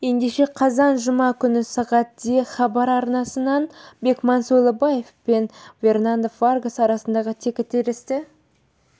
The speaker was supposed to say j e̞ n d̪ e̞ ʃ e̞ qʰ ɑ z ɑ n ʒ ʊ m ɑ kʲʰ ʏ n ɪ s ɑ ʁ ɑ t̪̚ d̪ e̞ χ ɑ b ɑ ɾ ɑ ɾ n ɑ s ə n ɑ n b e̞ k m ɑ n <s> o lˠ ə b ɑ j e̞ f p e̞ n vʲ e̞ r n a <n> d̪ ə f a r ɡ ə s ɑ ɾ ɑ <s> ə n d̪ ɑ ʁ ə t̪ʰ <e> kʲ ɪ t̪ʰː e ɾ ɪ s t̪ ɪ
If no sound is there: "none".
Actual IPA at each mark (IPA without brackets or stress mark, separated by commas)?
s, n, s, e